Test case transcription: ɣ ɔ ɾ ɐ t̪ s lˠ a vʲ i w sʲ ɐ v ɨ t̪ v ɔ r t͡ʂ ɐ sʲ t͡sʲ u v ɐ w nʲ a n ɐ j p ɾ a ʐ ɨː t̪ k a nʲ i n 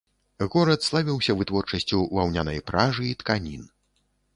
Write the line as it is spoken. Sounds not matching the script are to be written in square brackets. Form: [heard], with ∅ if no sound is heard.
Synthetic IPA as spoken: ɣ ɔ ɾ ɐ t̪ s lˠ a vʲ i w sʲ ɐ v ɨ t̪ v ɔ r t͡ʂ ɐ sʲ t͡sʲ u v [a] w nʲ a n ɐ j p ɾ a ʐ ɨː t̪ k a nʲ i n